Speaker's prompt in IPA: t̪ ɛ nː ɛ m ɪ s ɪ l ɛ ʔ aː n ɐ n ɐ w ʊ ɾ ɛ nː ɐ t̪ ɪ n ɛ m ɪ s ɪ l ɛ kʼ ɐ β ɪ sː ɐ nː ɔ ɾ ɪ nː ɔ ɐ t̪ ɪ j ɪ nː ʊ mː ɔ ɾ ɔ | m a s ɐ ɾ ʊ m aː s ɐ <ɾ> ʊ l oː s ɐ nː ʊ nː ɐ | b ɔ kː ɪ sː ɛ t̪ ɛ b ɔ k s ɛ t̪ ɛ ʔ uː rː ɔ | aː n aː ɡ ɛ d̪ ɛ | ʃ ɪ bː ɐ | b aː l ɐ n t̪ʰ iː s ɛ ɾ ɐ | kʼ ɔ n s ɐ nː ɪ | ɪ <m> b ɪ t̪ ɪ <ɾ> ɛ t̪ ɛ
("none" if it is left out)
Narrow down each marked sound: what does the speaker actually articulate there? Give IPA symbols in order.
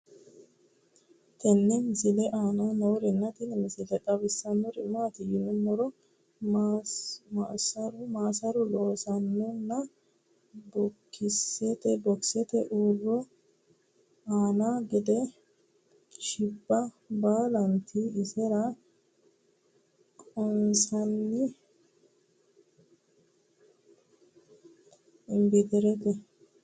ɾ, m, ɾ

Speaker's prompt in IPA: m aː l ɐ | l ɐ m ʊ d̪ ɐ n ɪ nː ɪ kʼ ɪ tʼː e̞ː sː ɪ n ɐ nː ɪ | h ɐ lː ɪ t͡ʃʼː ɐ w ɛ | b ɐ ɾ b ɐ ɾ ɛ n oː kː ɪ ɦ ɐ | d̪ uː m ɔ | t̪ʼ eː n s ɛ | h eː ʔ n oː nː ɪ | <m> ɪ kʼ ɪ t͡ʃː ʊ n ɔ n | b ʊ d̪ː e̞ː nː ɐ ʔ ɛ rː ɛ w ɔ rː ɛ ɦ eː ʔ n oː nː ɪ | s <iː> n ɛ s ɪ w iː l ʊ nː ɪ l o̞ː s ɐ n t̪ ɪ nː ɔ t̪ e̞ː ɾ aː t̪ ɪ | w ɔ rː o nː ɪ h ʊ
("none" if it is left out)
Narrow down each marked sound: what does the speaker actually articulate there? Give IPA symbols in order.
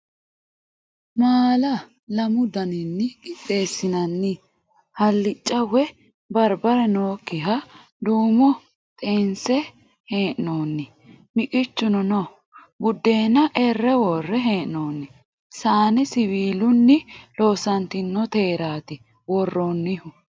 m, aː

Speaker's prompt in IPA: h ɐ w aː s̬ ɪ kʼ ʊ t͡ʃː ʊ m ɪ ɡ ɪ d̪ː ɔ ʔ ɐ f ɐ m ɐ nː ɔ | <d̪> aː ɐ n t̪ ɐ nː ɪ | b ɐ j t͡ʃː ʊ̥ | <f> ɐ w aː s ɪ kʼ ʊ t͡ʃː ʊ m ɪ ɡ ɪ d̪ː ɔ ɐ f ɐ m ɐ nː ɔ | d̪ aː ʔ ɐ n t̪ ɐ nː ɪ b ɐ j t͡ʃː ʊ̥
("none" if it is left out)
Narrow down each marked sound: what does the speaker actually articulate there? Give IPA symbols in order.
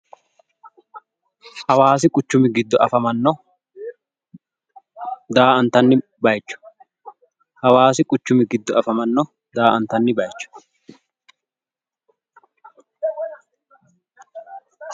d̪, h

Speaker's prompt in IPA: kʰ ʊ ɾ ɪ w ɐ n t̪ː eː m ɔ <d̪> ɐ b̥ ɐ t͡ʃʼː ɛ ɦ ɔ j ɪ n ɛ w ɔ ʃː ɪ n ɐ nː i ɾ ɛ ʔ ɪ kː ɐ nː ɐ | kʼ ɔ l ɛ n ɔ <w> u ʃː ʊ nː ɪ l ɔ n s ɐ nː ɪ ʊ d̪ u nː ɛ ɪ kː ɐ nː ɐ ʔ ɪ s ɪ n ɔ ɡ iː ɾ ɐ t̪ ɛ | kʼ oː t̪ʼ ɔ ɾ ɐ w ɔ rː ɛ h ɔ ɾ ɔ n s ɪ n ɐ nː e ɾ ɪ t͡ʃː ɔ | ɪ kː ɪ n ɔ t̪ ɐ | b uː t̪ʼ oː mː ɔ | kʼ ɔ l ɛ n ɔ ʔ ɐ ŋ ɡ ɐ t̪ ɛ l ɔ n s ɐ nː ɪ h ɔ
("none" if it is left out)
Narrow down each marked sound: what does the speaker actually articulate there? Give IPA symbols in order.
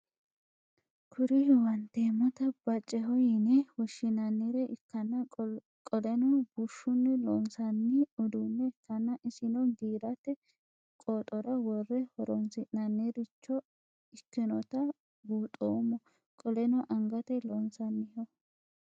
t̪, b

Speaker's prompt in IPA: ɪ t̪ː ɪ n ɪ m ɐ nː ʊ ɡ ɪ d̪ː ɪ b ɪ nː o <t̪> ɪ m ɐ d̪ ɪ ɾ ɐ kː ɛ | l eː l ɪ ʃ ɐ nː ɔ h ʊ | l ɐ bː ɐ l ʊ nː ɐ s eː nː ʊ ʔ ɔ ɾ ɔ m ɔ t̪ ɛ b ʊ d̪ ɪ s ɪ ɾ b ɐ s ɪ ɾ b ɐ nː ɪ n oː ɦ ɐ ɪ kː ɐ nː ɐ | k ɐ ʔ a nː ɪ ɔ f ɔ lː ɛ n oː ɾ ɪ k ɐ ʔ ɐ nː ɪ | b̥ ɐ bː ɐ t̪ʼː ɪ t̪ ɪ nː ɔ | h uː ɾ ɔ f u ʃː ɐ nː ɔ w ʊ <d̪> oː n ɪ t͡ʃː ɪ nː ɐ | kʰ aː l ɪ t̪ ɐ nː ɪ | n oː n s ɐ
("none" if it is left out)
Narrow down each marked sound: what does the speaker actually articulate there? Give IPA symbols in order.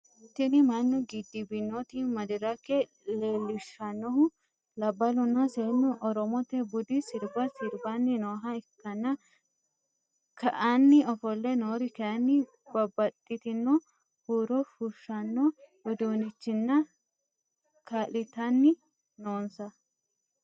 t̪, d̪

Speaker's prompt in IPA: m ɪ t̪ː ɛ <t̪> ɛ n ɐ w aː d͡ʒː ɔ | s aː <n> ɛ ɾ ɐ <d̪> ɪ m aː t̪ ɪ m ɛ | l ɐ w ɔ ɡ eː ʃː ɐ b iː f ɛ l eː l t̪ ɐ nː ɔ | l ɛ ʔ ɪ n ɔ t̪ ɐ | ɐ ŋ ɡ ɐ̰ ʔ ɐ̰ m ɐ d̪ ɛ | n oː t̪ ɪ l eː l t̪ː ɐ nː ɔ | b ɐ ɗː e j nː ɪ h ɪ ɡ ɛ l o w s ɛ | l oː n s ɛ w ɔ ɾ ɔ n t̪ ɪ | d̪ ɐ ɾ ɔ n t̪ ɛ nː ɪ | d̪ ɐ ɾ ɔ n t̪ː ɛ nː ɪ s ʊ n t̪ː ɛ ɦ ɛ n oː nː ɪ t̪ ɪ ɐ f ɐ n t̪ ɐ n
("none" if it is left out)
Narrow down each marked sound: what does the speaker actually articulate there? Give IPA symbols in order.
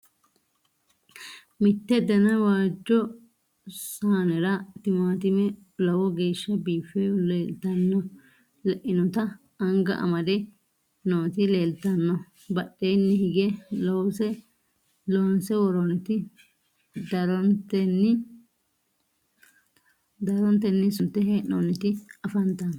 d̪, n, t̪

